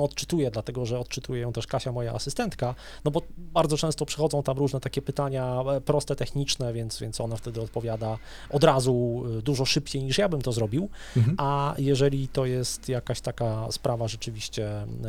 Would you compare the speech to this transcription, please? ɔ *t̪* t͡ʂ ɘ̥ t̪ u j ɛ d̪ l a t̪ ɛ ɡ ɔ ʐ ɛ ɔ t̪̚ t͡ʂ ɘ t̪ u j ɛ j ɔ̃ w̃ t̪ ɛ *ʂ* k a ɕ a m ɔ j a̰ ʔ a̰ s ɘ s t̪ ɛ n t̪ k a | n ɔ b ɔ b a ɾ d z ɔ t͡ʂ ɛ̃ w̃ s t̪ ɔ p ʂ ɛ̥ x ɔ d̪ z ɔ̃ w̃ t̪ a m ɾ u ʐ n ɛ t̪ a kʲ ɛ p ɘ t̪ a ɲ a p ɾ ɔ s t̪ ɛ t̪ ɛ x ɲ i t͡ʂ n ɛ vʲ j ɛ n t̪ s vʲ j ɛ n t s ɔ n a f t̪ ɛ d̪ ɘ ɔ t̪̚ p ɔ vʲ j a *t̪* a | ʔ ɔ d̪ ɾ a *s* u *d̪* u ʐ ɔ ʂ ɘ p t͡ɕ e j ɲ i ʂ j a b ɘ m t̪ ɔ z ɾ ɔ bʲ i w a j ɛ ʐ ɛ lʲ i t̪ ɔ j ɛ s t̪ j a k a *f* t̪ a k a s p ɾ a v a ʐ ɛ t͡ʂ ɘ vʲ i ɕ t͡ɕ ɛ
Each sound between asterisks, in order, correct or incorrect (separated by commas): correct, correct, incorrect, incorrect, correct, incorrect